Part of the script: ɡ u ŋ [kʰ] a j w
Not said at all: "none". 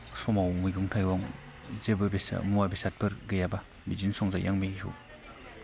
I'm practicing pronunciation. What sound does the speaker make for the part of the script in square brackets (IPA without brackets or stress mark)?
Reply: tʰ